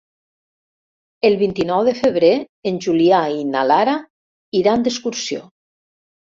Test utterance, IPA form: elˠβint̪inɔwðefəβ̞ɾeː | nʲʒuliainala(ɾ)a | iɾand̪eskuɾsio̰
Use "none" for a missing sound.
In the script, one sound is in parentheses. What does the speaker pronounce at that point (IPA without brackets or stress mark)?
ɾ